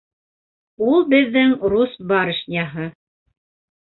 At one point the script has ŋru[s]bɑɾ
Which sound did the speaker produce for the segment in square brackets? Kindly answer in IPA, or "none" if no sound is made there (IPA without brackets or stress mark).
s